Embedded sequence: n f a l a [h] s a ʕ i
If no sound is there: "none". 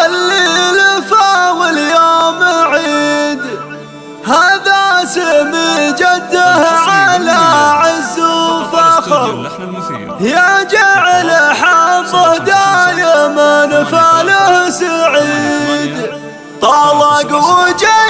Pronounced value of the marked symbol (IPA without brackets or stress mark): h